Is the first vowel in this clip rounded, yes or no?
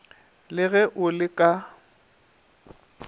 no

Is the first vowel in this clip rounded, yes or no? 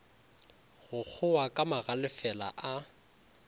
yes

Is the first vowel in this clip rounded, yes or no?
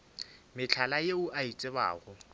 no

